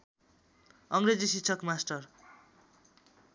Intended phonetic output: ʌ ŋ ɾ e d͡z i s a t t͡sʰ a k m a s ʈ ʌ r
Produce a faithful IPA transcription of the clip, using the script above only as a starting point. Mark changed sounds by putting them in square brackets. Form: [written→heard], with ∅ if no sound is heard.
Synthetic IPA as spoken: ʌ ŋ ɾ e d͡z i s [a→i] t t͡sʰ [a→ʌ] k m a s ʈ ʌ r